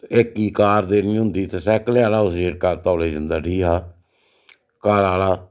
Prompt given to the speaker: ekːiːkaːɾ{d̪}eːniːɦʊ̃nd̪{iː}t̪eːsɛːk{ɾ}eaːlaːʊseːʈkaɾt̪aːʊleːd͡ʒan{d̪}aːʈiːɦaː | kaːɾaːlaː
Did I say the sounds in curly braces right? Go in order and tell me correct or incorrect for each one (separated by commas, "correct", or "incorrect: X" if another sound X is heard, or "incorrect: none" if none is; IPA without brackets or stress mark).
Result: correct, correct, incorrect: l, correct